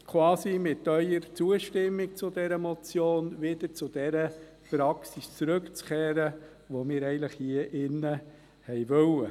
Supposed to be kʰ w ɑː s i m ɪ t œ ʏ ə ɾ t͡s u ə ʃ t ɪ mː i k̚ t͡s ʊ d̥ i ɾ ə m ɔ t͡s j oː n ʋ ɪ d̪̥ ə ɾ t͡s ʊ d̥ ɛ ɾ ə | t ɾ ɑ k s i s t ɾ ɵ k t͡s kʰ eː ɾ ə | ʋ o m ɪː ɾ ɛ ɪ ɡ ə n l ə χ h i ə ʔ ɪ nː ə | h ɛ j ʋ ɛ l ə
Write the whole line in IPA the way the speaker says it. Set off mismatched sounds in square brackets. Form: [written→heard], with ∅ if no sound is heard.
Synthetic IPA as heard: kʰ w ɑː s i m ɪ t œ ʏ ə ɾ t͡s u ə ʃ t ɪ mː i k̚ t͡s ʊ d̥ [i→ɛ] ɾ ə m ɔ t͡s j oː n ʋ ɪ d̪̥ ə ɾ t͡s ʊ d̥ ɛ ɾ ə | [t→p] ɾ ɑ k s i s [t→t͡s] ɾ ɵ k t͡s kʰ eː ɾ ə | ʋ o m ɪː ɾ ɛ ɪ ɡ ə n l ə χ h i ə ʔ ɪ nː ə | h ɛ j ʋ [ɛ→œ] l ə